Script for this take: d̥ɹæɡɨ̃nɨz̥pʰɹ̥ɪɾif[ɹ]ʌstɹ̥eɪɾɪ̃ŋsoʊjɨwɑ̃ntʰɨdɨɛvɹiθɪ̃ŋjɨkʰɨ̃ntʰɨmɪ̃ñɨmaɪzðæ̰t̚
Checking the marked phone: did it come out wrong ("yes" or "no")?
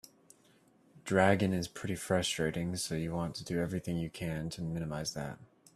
no